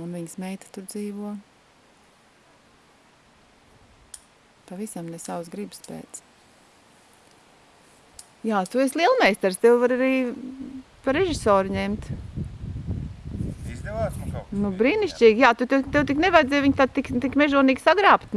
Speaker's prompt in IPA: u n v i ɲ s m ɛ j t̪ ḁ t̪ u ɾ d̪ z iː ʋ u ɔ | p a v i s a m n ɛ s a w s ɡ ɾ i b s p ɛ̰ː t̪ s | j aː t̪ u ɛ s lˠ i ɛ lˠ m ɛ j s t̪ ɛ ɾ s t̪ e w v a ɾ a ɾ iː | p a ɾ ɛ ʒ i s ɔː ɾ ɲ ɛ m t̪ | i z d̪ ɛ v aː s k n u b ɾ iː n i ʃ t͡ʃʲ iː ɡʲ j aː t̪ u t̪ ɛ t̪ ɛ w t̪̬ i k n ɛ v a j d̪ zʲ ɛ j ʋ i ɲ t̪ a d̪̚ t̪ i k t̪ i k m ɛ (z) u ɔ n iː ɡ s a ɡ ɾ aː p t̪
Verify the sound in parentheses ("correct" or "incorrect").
incorrect